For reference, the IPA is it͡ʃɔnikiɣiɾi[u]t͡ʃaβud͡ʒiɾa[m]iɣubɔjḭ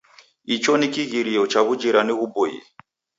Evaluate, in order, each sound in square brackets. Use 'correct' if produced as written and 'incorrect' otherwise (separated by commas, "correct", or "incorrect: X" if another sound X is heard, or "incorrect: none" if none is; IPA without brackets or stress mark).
incorrect: ɔ, incorrect: n